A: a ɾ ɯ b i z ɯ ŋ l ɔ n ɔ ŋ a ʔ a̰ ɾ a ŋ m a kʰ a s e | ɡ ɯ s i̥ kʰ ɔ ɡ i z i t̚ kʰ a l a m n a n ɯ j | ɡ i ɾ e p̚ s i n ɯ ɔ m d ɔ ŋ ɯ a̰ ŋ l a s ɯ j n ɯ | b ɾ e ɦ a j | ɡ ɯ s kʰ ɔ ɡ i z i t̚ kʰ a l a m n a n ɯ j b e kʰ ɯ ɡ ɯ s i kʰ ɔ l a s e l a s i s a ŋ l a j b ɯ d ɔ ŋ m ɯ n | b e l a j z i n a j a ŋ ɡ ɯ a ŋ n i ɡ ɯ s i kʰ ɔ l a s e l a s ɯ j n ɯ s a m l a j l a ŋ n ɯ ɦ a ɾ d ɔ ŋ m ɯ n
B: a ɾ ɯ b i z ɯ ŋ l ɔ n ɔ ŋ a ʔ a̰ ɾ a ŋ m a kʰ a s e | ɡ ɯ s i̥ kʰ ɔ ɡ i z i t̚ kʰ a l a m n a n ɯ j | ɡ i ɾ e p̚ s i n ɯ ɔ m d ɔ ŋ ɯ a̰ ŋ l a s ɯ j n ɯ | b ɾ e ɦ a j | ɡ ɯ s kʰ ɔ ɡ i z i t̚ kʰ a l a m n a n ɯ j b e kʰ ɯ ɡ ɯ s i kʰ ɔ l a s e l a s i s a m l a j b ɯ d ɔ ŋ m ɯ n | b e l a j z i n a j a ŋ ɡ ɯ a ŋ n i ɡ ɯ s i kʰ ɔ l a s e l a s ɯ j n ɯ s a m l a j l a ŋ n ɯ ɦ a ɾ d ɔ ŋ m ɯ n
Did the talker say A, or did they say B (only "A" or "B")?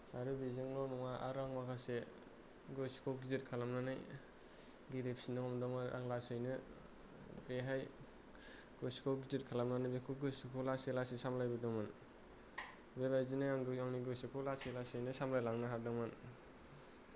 B